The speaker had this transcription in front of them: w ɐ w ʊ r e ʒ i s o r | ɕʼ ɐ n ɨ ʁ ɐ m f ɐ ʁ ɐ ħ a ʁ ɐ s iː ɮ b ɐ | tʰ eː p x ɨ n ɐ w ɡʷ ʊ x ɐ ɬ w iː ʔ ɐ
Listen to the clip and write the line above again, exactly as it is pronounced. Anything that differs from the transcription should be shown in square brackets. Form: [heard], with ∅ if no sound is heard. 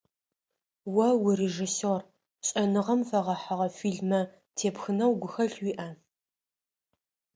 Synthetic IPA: w ɐ w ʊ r e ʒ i s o r | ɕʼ ɐ n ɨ ʁ ɐ m f ɐ ʁ ɐ ħ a ʁ ɐ [f] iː ɮ [m] ɐ | tʰ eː p x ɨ n ɐ w ɡʷ ʊ x ɐ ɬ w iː ʔ ɐ